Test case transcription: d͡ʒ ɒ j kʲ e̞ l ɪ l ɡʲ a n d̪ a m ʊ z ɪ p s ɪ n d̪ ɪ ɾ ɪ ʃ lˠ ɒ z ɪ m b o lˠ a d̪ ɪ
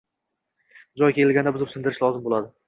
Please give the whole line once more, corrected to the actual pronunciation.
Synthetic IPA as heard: d͡ʒ ɒ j kʲ e̞ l ɪ l ɡʲ a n d̪ a b ʊ z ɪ p s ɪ n d̪ ɪ ɾ ɪ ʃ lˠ ɒ z ɪ m b o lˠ a d̪ ɪ